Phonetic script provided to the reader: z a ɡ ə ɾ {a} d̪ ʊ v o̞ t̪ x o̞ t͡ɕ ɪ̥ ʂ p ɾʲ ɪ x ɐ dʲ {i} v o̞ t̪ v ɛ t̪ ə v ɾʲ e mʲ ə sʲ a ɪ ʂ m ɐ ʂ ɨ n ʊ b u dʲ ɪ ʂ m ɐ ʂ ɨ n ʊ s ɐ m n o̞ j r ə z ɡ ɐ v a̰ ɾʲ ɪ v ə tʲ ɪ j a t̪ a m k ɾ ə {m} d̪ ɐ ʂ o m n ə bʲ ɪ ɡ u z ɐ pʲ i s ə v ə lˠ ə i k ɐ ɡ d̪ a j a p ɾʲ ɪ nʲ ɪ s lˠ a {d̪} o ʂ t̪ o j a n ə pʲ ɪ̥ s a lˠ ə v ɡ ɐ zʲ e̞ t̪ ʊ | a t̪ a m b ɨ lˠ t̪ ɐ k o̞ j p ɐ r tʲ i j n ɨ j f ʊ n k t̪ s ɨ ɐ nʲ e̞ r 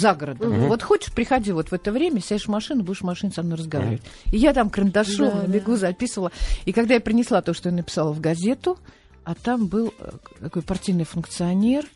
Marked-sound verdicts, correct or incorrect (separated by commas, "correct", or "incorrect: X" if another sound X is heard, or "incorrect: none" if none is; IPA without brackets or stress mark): incorrect: ə, correct, incorrect: n, incorrect: t̪